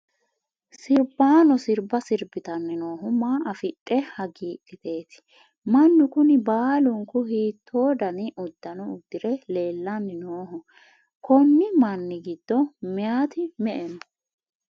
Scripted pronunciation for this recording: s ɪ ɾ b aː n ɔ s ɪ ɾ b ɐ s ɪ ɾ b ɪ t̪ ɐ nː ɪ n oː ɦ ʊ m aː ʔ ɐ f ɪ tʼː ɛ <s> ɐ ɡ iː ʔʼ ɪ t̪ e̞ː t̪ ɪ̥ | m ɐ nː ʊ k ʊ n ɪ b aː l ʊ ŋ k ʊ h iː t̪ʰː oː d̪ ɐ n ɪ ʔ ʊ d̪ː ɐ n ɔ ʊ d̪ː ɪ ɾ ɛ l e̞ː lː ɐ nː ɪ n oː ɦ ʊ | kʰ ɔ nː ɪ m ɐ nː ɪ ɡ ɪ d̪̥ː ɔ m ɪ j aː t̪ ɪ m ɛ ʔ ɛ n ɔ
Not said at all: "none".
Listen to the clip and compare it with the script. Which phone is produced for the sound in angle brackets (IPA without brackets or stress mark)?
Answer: h